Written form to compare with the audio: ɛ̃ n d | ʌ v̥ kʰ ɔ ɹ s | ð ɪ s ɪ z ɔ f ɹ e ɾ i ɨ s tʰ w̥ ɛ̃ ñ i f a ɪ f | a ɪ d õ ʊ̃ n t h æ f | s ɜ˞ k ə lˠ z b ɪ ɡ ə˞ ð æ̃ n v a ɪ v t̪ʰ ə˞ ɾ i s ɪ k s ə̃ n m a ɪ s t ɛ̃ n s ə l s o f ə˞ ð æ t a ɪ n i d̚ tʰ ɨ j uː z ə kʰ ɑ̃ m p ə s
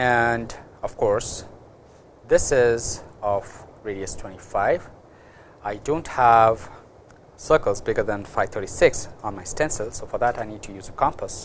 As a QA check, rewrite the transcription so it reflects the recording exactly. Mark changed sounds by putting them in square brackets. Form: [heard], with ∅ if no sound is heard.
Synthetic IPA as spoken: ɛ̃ n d | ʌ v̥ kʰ ɔ ɹ s | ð ɪ s ɪ z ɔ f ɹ e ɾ i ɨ s tʰ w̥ ɛ̃ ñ i f a ɪ [v] | a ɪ d õ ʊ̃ n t h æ [v] | s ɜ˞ k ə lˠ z b ɪ ɡ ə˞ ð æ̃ n [f] a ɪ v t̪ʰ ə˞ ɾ i s ɪ k s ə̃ n m a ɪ s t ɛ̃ n s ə l s o f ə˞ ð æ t a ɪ n i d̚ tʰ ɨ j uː z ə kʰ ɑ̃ m p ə s